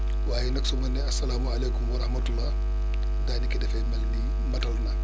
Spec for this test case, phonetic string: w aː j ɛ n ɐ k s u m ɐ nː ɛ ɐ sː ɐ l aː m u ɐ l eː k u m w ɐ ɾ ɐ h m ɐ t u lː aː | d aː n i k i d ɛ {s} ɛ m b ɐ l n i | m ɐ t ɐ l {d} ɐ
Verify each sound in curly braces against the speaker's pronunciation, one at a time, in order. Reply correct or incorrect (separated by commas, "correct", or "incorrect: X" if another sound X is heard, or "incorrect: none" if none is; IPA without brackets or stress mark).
incorrect: f, incorrect: n